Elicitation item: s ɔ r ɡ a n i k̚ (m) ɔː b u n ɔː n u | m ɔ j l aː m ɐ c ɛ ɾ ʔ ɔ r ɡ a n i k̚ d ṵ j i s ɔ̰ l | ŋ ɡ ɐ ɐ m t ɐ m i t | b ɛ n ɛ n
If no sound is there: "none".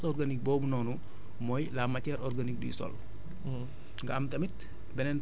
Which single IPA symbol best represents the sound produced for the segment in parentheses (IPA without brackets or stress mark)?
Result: b